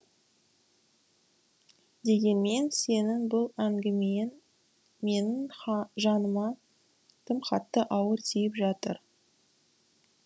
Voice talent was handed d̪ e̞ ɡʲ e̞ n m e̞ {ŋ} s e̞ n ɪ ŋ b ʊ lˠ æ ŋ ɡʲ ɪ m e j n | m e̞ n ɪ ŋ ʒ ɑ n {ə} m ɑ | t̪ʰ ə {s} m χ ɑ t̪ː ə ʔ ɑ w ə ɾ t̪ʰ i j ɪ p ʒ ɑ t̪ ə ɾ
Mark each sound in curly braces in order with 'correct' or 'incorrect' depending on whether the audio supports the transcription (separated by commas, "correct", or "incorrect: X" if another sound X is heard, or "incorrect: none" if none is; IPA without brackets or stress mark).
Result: incorrect: n, correct, incorrect: none